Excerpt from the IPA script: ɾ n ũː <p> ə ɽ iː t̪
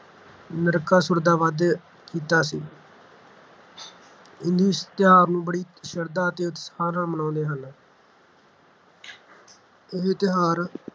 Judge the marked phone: incorrect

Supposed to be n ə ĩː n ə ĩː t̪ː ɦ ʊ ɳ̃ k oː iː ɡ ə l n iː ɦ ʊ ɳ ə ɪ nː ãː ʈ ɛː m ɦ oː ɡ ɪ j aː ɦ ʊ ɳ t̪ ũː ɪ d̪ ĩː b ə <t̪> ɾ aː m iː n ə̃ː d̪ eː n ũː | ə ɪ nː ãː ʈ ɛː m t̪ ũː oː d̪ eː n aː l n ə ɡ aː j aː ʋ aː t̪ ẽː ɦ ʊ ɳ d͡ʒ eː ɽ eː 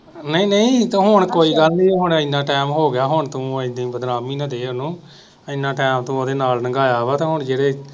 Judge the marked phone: incorrect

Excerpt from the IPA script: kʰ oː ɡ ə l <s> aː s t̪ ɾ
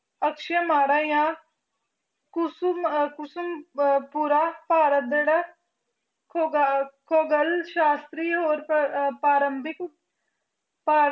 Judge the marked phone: incorrect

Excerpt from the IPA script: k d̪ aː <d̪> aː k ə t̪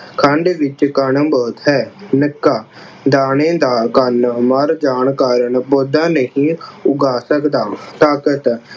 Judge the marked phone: incorrect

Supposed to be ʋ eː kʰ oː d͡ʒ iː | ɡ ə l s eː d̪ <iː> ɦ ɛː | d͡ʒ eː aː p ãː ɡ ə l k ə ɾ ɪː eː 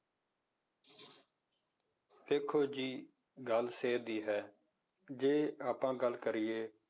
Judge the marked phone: correct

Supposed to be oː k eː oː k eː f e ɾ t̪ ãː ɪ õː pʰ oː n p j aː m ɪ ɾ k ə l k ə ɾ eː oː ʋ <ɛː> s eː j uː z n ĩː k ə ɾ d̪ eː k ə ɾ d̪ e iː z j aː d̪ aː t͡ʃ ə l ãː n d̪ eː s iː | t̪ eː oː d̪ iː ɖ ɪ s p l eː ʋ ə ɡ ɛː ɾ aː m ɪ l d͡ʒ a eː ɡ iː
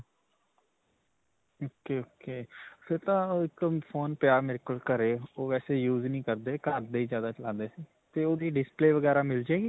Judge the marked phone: correct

